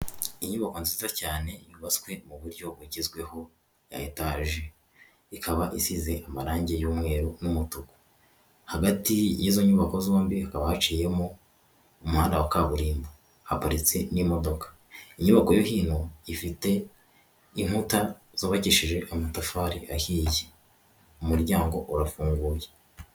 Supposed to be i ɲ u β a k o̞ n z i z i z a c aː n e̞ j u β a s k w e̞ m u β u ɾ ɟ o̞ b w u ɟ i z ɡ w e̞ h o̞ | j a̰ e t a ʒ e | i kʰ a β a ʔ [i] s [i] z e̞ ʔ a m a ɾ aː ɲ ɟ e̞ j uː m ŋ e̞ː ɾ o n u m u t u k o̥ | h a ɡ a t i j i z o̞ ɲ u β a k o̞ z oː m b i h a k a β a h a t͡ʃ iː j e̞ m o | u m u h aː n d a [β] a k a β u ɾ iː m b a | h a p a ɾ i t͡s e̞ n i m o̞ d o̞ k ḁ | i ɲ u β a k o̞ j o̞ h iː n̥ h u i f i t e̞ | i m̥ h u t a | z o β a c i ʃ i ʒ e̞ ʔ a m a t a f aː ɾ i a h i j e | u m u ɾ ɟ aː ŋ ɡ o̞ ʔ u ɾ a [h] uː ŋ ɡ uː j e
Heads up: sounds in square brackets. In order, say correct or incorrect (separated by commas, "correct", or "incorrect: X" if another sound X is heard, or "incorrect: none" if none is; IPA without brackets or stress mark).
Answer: correct, correct, incorrect: w, incorrect: f